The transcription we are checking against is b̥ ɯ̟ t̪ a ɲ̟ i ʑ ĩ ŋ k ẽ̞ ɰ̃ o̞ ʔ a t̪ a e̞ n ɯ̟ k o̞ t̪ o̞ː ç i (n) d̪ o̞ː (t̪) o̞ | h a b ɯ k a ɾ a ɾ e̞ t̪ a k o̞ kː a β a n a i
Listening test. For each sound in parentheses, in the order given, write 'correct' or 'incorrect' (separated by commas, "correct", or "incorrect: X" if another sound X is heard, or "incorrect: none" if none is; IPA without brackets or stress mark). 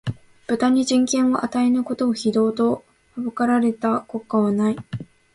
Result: incorrect: none, correct